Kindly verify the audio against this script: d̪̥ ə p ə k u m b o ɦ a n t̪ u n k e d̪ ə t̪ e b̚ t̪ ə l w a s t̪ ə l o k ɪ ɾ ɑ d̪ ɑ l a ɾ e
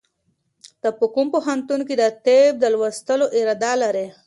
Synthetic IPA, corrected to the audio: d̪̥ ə p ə k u m p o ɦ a n t̪ u n k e d̪ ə t̪ e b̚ d̪ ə l w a s t̪ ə l o ʔ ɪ ɾ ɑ d̪ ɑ l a ɾ e

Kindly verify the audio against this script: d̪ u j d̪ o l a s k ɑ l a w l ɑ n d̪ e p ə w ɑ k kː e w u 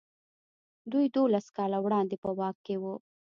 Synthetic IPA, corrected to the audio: d̪ u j d̪ o l a s k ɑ l a w ɽ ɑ n d̪ e p ə w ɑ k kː e w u

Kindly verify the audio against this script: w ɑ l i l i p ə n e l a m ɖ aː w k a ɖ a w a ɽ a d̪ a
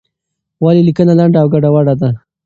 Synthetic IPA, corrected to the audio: w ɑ l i l i k ə n a l a ɳ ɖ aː w ɡ a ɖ a w a ɽ a d̪ a

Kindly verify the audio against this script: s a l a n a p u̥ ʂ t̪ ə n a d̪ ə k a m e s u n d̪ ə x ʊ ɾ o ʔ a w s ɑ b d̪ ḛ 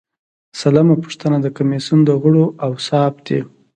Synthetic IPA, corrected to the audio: s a l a m a p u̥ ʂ t̪ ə n a d̪ ə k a m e s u n d̪ ə ɣ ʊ ɽ o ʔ a w s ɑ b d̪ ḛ

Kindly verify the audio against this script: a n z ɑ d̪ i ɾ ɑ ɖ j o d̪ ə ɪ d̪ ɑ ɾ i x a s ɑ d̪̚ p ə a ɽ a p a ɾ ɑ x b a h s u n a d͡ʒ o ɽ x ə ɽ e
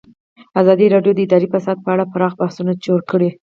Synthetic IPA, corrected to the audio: a z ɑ d̪ i ɾ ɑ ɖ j o d̪ ə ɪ d̪ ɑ ɾ i f a s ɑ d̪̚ p ə a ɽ a p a ɾ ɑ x b a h s u n a d͡ʒ o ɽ k ə ɽ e

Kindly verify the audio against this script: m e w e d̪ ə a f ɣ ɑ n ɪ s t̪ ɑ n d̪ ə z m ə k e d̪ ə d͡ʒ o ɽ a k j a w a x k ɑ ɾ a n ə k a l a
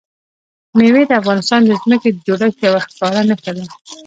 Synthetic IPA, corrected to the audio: m e w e d̪ ə a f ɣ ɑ n ɪ s t̪ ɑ n d̪ ə z m ə k e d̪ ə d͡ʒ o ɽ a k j a w a x k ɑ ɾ a n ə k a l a

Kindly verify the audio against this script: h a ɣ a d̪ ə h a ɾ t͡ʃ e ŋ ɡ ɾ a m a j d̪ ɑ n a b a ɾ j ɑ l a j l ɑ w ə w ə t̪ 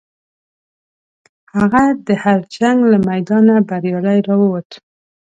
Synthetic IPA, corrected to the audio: h a ɣ a d̪ ə h a ɾ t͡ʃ a ŋ ɡ l a m a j d̪ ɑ n a b a ɾ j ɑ l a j ɾ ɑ w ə w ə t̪

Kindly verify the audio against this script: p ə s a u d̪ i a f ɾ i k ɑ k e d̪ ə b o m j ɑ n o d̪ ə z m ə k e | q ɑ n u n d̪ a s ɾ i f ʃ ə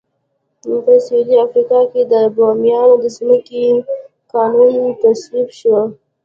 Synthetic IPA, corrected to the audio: p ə s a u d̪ i a f ɾ i k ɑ k e d̪ ə b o m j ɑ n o d̪ ə z m ə k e | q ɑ n u n t̪ a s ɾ i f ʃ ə

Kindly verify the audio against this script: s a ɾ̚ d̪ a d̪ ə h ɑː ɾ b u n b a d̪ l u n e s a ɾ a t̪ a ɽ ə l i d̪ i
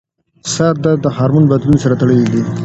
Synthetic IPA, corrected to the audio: s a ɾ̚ d̪ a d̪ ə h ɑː ɾ m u n b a d̪ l u n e s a ɾ a t̪ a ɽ ə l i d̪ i

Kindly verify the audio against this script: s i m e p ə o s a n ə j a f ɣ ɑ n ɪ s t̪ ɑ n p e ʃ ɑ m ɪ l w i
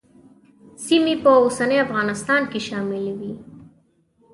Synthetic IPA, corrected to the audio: s i m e p ə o s a n ə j a f ɣ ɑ n ɪ s t̪ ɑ n k e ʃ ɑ m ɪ l w i

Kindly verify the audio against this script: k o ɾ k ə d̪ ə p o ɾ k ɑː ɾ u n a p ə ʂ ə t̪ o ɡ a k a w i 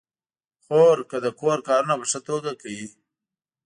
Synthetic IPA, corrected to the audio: x o ɾ k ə d̪ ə k o ɾ k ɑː ɾ u n a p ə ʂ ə t̪ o ɡ a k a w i

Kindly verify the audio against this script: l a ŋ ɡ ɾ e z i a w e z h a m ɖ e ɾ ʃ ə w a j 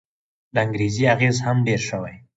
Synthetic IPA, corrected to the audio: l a ŋ ɡ ɾ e z i a ɣ e z h a m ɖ e ɾ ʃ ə w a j

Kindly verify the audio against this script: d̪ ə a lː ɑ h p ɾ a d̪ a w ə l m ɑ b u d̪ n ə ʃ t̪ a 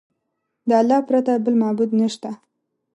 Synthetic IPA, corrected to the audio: d̪ ə a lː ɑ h p ɾ a t̪ a b ə l m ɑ b u d̪ n ə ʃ t̪ a

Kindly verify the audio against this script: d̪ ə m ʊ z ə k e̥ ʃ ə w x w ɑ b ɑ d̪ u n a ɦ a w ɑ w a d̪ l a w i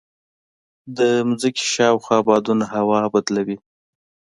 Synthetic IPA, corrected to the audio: d̪ ə m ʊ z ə k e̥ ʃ ɑ w x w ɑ b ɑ d̪ u n a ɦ a w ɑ b a d̪ l a w i

